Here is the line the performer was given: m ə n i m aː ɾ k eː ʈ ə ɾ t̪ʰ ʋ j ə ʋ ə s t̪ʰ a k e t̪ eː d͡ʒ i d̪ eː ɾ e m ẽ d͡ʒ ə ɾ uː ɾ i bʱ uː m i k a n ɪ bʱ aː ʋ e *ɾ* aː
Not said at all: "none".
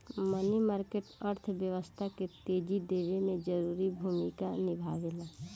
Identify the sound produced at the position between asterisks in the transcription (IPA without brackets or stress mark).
l